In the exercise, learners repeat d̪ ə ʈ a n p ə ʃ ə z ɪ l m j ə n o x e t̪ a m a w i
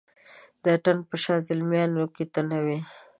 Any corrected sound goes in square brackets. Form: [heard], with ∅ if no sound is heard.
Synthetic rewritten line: d̪ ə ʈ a n p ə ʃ [ɑ] z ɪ l m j [ɑ] n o [k] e t̪ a [n] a w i